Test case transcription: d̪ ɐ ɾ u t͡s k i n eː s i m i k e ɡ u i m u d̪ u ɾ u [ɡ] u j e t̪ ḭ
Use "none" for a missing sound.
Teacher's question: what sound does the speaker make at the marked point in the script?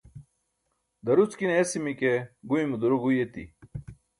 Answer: ɡ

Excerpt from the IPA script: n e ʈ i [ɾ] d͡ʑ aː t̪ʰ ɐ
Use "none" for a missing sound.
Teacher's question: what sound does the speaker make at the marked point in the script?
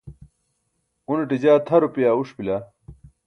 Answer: none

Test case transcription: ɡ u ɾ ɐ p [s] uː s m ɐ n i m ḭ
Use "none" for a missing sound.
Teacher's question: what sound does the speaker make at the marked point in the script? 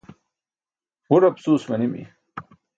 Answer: s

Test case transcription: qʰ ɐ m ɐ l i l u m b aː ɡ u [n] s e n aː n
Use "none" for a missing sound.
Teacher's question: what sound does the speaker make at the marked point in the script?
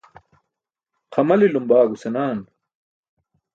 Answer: none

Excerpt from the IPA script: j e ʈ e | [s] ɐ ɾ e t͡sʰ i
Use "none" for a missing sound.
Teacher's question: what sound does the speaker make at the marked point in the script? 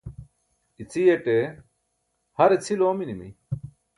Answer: h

